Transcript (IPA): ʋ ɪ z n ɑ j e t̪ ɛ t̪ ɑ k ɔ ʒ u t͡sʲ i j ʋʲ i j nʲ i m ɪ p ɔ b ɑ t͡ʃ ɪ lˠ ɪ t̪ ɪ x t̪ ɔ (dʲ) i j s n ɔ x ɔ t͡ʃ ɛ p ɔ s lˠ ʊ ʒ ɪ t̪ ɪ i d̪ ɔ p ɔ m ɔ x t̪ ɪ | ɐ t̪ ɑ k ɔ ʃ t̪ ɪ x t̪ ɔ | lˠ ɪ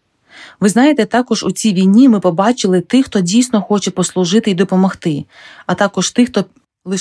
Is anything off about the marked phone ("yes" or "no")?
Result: no